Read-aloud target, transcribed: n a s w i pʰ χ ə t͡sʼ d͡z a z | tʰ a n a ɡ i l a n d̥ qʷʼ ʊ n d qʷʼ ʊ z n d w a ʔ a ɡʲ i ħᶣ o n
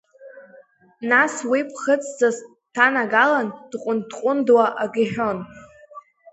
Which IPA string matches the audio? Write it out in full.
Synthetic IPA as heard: n a s w i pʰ χ ə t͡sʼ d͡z a z | tʰ a n a ɡ a l a n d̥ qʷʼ ʊ n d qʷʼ ʊ n d w a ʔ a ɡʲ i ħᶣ o n